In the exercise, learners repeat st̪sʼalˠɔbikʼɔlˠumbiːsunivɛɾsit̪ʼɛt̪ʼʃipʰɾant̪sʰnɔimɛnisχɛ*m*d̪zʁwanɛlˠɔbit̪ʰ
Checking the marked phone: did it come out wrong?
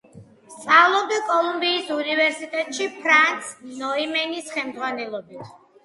no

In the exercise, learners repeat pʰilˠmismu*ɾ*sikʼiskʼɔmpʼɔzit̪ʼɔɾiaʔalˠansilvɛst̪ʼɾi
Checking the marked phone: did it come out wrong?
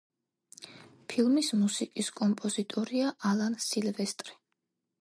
yes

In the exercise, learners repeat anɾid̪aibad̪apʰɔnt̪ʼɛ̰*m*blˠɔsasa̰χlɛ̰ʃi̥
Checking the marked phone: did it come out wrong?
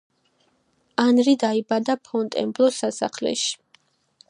no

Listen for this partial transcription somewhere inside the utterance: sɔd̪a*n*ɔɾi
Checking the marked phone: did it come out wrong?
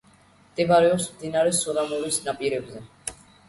yes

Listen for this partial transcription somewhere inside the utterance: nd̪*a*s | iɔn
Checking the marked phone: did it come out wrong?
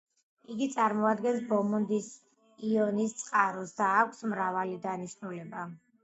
yes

